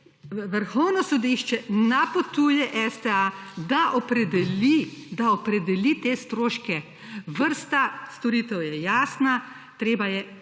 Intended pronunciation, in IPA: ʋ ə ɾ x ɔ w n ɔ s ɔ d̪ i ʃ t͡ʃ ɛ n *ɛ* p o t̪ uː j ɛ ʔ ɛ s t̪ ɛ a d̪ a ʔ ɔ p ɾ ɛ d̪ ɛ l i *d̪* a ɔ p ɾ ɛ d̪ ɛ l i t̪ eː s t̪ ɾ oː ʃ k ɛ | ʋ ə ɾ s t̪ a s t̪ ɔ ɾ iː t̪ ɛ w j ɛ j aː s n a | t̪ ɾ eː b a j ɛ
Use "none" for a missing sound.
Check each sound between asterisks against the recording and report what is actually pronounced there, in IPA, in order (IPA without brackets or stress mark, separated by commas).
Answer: a, d̪